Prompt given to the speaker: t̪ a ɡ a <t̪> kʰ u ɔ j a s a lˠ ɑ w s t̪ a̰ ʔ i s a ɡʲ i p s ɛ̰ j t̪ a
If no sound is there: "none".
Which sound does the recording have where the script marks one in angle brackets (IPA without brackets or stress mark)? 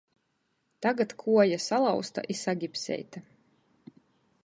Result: t̪